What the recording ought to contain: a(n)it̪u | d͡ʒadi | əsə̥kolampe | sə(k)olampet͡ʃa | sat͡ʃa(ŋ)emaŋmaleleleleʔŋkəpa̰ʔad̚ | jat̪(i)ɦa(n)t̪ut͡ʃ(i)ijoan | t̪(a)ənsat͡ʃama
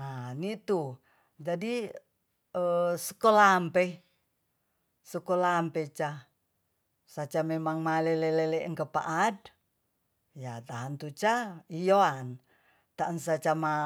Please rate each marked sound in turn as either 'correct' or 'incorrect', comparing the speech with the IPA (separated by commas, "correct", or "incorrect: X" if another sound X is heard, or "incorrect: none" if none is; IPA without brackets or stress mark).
correct, correct, incorrect: m, incorrect: a, correct, incorrect: a, correct